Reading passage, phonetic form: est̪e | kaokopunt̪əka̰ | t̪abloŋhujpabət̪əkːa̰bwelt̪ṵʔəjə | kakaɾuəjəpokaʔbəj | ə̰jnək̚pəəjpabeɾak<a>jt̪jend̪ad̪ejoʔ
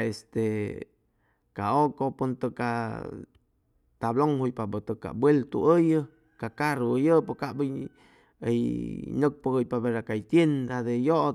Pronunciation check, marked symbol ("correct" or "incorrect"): correct